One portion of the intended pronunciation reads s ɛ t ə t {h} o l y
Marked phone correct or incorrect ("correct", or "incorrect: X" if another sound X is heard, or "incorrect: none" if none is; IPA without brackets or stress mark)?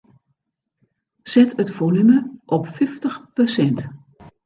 incorrect: f